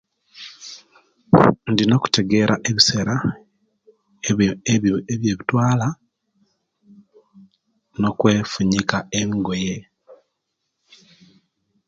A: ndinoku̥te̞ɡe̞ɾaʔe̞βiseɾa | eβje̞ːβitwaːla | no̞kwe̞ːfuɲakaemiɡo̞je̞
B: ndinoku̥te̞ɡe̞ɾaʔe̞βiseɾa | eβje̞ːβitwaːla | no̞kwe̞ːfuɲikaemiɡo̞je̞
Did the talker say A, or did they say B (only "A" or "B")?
B